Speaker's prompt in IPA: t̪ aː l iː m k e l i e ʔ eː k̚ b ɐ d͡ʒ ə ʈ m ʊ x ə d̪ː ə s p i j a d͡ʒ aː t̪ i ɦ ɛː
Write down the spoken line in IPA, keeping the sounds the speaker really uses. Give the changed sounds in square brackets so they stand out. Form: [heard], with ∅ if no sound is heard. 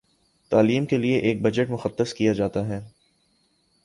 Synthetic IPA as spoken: t̪ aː l iː m k e l i e ʔ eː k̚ b ɐ d͡ʒ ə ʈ m ʊ x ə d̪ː ə s [k] i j a d͡ʒ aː t̪ [a] ɦ ɛː